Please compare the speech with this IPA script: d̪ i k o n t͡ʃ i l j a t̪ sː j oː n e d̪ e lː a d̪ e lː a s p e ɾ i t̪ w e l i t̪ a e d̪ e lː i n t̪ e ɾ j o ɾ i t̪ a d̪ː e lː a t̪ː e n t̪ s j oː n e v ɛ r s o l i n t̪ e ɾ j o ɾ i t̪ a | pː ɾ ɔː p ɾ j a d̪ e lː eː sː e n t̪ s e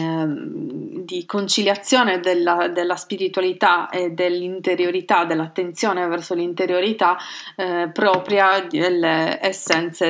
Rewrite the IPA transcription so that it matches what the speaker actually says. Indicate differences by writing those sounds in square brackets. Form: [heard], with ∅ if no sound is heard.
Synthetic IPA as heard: d̪ i k o n t͡ʃ i l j a t̪ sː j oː n e d̪ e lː a d̪ e lː a s p [i] ɾ i t̪ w [a] l i t̪ a e d̪ e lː i n t̪ e ɾ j o ɾ i t̪ a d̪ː e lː a t̪ː e n t̪ s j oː n e v ɛ r s o l i n t̪ e ɾ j o ɾ i t̪ a | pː ɾ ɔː p ɾ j a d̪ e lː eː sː [ɛ] n t̪ s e